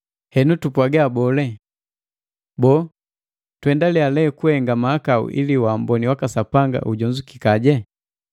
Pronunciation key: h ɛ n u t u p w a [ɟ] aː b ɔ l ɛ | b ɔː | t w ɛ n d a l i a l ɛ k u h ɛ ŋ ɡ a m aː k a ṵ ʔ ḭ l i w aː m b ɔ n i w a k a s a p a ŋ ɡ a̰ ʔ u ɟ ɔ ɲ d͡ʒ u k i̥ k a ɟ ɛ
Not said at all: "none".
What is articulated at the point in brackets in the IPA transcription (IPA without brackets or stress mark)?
ɡ